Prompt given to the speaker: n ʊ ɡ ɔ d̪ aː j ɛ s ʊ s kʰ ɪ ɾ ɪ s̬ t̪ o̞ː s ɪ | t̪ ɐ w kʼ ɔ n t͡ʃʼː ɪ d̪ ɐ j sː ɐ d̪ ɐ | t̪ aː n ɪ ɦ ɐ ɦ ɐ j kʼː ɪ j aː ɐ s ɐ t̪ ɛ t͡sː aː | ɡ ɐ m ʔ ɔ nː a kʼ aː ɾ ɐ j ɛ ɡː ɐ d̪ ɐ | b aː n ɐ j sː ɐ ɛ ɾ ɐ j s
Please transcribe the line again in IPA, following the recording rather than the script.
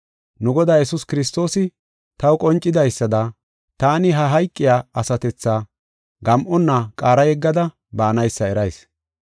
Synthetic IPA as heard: n ʊ ɡ ɔ d̪ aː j ɛ s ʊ s k ɪ ɾ ɪ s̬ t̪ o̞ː s ɪ | t̪ ɐ w kʼ ɔ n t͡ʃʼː ɪ d̪ ɐ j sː ɐ d̪ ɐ | t̪ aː n ɪ ɦ ɐ ɦ ɐ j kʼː ɪ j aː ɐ s ɐ t̪ ɛ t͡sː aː | ɡ ɐ m ʔ ɔ nː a kʼ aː ɾ ɐ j ɛ ɡː ɐ d̪ ɐ | b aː n ɐ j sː ɐ ɛ ɾ ɐ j s